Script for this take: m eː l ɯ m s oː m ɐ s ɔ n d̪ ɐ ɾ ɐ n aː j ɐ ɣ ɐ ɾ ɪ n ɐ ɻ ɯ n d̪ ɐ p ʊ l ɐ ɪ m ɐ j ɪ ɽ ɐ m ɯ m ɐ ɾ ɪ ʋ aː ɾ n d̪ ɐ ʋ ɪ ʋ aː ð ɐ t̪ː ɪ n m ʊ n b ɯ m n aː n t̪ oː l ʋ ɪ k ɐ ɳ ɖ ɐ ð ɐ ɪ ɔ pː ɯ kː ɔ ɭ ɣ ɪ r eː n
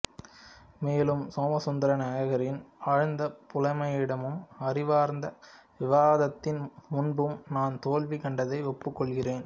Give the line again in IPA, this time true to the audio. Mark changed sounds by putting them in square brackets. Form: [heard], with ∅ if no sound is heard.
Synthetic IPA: m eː l ɯ m s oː m ɐ s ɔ n d̪ ɐ ɾ ɐ n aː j ɐ ɣ ɐ ɾ ɪ n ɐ ɻ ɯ n d̪ ɐ p ʊ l ɐ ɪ m ɐ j ɪ ɽ ɐ m ɯ m ɐ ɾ ɪ ʋ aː ɾ n d̪ ɐ ʋ ɪ ʋ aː ð ɐ t̪ː ɪ n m ʊ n b ɯ m n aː n t̪ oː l ʋ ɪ k ɐ ɳ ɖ ɐ ð ɐ ɪ ɔ pː ɯ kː ɔ ɭ ɣ ɪ r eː n

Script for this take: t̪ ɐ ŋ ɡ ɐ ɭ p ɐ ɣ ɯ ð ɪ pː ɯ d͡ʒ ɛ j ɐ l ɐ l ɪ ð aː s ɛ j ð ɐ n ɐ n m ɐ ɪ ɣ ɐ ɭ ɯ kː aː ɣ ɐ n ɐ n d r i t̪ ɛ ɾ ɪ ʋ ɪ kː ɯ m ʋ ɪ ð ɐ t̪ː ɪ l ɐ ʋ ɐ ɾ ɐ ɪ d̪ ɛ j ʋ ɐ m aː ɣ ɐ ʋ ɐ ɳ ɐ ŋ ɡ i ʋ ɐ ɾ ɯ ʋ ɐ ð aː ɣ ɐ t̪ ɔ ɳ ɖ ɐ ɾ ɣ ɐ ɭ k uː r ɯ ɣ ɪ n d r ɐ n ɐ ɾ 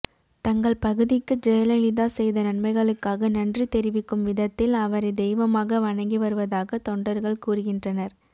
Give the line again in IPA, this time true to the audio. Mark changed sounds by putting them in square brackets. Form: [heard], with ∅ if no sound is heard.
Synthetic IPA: t̪ ɐ ŋ ɡ ɐ ɭ p ɐ ɣ ɯ ð ɪ [kː] ɯ d͡ʒ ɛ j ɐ l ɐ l ɪ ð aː s ɛ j ð ɐ n ɐ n m ɐ ɪ ɣ ɐ ɭ ɯ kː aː ɣ ɐ n ɐ n d r i t̪ ɛ ɾ ɪ ʋ ɪ kː ɯ m ʋ ɪ ð ɐ t̪ː ɪ l ɐ ʋ ɐ ɾ ɐ ɪ d̪ ɛ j ʋ ɐ m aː ɣ ɐ ʋ ɐ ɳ ɐ ŋ ɡ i ʋ ɐ ɾ ɯ ʋ ɐ ð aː ɣ ɐ t̪ ɔ ɳ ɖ ɐ ɾ ɣ ɐ ɭ k uː r ɯ ɣ ɪ n d r ɐ n ɐ ɾ

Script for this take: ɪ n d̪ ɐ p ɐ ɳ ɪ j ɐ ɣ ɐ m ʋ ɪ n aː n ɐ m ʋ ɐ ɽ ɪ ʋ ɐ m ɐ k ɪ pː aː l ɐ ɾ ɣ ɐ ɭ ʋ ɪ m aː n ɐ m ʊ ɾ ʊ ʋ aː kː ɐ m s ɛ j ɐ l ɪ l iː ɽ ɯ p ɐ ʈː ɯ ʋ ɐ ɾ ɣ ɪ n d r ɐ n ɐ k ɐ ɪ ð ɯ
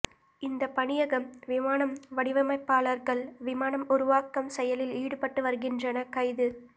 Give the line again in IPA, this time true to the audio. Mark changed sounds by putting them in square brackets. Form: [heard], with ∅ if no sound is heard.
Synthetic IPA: ɪ n d̪ ɐ p ɐ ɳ ɪ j ɐ ɣ ɐ m ʋ ɪ [m] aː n ɐ m ʋ ɐ ɽ ɪ ʋ ɐ m ɐ [∅] ɪ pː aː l ɐ ɾ ɣ ɐ ɭ ʋ ɪ m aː n ɐ m ʊ ɾ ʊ ʋ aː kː ɐ m s ɛ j ɐ l ɪ l iː ɽ ɯ p ɐ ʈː ɯ ʋ ɐ ɾ ɣ ɪ n d r ɐ n ɐ k ɐ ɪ ð ɯ

